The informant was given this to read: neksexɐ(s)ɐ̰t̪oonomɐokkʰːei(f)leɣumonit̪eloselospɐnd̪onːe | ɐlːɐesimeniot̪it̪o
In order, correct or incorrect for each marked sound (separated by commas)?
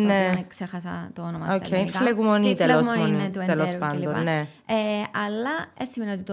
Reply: correct, correct